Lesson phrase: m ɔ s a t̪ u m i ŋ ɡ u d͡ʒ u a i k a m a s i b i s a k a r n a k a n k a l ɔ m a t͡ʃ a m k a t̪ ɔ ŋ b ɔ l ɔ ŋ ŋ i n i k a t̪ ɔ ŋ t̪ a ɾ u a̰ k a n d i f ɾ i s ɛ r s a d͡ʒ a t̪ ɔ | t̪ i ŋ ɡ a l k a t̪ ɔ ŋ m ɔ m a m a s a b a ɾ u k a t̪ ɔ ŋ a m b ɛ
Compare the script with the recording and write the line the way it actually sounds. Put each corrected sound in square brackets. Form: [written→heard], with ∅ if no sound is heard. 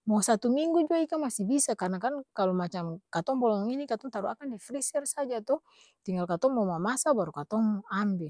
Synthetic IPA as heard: m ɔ s a t̪ u m i ŋ ɡ u d͡ʒ u a i k a m a s i b i s a k a r n a k a n k a l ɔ m a t͡ʃ a m k a t̪ ɔ ŋ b ɔ l ɔ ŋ ŋ i n i k a t̪ ɔ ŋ t̪ a ɾ u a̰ k a n d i f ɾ i s ɛ r s a d͡ʒ a t̪ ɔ | t̪ i ŋ ɡ a l k a t̪ ɔ ŋ m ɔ m a m a s a b a ɾ u k a t̪ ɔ ŋ a m b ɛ